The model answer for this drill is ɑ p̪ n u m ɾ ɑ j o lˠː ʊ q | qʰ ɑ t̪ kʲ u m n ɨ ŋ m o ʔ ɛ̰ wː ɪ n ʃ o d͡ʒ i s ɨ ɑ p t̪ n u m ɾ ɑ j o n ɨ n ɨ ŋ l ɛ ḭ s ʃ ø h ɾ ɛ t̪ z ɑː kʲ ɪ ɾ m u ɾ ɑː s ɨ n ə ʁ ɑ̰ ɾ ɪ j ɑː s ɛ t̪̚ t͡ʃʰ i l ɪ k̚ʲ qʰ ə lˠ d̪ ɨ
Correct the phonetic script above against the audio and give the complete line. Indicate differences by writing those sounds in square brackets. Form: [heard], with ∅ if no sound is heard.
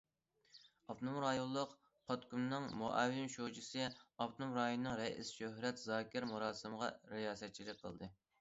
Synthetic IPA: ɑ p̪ n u m ɾ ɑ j o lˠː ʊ q | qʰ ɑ t̪ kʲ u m n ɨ ŋ m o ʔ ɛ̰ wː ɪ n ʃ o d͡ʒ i s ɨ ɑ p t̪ n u m ɾ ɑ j o n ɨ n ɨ ŋ [ɾ] ɛ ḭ s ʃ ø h ɾ ɛ t̪ z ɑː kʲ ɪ ɾ m u ɾ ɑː s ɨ [m] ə ʁ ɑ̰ ɾ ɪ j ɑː s ɛ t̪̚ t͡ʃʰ i l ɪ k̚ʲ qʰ ə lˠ d̪ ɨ